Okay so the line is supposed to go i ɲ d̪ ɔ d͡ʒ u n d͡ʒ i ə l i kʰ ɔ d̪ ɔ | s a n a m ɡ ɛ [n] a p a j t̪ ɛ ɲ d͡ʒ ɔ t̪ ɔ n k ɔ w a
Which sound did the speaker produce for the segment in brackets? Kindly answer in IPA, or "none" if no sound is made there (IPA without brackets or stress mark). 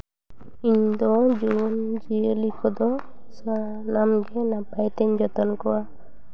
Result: n